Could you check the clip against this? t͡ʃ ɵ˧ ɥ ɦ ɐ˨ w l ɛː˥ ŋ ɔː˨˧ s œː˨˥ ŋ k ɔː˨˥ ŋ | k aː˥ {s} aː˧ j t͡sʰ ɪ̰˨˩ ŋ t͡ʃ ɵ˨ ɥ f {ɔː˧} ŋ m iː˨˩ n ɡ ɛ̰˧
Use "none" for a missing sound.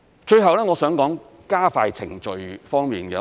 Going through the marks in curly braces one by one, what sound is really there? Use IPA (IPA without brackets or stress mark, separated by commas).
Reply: f, ɔː˥